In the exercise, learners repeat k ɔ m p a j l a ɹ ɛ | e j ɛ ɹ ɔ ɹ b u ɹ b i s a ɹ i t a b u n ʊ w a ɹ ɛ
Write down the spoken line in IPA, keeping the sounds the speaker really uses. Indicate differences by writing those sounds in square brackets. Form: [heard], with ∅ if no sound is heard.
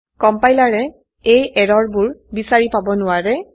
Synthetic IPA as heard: k ɔ m p a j l a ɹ ɛ | e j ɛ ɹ ɔ ɹ b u ɹ b i s a ɹ i [p] a b [ɔ] n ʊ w a ɹ ɛ